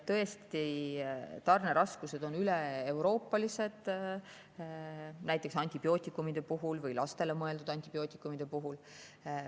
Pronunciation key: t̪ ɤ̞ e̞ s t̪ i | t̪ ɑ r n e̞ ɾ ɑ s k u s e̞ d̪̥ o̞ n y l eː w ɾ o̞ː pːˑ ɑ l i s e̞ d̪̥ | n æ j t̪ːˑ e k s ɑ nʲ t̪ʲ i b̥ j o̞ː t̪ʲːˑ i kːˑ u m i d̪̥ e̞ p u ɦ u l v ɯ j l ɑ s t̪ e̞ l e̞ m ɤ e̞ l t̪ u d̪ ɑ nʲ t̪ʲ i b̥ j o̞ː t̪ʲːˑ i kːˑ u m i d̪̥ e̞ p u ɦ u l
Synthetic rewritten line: t̪ ɤ̞ e̞ s t̪ i | t̪ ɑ r n e̞ ɾ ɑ s k u s e̞ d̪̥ o̞ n y l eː w ɾ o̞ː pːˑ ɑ l i s e̞ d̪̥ | n æ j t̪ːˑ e k s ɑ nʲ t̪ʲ i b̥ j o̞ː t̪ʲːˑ i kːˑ u m i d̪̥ e̞ p u ɦ u l v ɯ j l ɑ s t̪ e̞ l e̞ m ɤ e̞ l d̪ u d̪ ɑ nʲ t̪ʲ i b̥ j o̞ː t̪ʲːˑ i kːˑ u m i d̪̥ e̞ p u ɦ u l

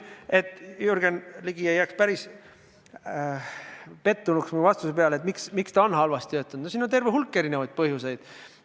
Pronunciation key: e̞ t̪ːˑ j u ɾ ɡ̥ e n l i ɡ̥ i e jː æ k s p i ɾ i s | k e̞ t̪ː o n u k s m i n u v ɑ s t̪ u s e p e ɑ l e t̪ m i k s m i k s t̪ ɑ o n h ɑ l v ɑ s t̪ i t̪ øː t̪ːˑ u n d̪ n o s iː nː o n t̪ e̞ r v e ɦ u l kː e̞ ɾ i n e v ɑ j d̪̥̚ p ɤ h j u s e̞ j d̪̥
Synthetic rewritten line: e̞ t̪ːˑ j u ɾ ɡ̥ e n l i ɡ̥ i e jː æ k s p æ ɾ i s | p e̞ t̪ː u n u k s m i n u v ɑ s t̪ u s e p e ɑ l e t̪ m i k s m i k s t̪ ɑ o n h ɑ l v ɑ s t̪ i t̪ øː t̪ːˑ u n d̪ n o s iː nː o n t̪ e̞ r v e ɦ u l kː e̞ ɾ i n e v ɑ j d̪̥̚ p ɤ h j u s e̞ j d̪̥

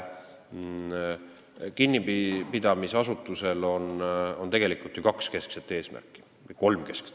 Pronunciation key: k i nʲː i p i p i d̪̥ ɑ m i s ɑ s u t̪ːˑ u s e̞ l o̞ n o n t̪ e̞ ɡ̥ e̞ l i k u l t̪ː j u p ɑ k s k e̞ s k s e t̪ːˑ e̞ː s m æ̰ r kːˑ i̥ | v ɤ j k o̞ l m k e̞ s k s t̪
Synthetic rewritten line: k i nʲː i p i p i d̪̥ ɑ m i s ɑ s u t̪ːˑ u s e̞ l o̞ n o n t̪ e̞ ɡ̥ e̞ l i k u l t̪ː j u k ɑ k s k e̞ s k s e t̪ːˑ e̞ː s m æ̰ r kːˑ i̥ | v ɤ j k o̞ l m k e̞ s k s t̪

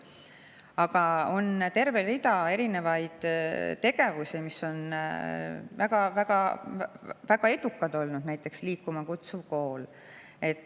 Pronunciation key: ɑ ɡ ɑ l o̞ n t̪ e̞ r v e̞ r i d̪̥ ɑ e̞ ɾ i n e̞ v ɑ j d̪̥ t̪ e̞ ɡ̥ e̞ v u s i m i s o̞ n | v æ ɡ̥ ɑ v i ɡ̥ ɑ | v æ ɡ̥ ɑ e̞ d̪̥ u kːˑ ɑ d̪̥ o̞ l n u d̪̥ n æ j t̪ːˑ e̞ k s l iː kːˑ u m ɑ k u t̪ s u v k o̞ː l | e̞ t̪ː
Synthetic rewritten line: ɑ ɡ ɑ o̞ n t̪ e̞ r v e̞ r i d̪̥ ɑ e̞ ɾ i n e̞ v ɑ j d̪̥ t̪ e̞ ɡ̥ e̞ v u s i m i s o̞ n | v æ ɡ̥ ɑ v æ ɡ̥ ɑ | v æ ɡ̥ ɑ e̞ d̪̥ u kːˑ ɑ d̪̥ o̞ l n u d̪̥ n æ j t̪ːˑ e̞ k s l iː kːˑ u m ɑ k u t̪ s u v k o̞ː l | e̞ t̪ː

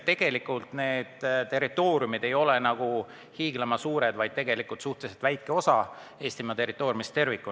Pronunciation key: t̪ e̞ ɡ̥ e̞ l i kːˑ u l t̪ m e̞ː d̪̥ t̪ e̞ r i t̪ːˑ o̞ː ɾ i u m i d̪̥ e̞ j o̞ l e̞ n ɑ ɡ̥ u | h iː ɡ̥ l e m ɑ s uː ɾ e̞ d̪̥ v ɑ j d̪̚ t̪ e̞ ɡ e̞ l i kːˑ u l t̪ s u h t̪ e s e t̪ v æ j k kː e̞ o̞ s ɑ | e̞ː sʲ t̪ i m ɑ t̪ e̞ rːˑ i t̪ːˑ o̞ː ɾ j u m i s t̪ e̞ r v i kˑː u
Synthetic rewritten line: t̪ e̞ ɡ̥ e̞ l i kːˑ u l t̪ n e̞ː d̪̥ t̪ e̞ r i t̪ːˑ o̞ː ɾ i u m i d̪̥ e̞ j o̞ l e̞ n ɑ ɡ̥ u | h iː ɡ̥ l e m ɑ s uː ɾ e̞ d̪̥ v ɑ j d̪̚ t̪ e̞ ɡ e̞ l i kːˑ u l t̪ s u h t̪ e s e t̪ v æ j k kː e̞ o̞ s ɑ | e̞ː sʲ t̪ i m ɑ t̪ e̞ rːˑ i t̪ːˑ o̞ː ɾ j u m i s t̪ e̞ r v i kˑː u

